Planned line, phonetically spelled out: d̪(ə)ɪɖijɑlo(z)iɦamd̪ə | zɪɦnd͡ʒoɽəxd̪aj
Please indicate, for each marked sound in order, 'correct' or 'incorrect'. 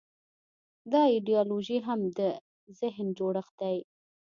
incorrect: ɑ, incorrect: ʒ

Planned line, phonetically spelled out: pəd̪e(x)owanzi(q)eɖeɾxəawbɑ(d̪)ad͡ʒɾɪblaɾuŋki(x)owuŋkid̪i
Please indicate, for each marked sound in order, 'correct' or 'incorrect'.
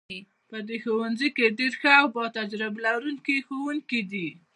correct, incorrect: k, incorrect: t̪, correct

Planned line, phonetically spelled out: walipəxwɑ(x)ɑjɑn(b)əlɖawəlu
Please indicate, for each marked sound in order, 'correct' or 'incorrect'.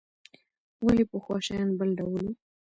incorrect: ʃ, correct

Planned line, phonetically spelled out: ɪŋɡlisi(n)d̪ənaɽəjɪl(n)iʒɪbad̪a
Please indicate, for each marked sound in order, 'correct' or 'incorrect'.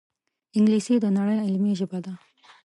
incorrect: none, incorrect: m

